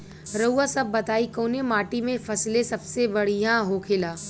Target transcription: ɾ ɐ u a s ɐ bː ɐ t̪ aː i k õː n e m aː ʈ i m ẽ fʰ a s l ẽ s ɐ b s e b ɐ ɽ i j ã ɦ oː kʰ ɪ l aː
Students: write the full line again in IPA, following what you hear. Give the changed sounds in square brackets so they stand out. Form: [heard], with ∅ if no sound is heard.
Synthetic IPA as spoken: ɾ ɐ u a s ɐ bː ɐ t̪ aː i k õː n e m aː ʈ i m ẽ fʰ [ɐ] s l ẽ s ɐ b s e b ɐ ɽ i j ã ɦ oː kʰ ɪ l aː